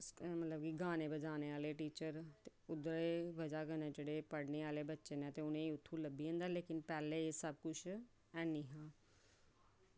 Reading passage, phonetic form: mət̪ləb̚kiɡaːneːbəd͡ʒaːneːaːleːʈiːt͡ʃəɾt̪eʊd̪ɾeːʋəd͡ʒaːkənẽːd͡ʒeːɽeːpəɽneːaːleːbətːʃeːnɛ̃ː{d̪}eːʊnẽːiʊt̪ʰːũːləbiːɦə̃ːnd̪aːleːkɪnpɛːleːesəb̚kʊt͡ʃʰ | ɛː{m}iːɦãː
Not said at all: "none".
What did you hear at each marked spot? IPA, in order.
t̪, n

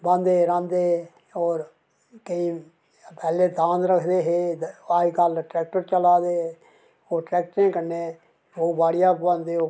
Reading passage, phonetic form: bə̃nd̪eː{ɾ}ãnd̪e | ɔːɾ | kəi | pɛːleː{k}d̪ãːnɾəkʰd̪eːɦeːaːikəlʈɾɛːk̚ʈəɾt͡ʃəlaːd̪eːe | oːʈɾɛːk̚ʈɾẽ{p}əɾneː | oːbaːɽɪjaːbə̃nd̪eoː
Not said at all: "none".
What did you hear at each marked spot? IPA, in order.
ɾ, none, k

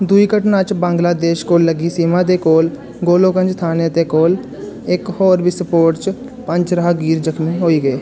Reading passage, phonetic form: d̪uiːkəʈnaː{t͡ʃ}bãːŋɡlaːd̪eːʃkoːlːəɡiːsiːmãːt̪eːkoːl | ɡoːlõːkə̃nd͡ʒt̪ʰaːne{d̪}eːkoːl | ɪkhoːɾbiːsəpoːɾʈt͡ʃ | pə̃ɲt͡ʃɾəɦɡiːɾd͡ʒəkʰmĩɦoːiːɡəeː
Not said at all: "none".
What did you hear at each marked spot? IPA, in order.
t͡ʃ, t̪

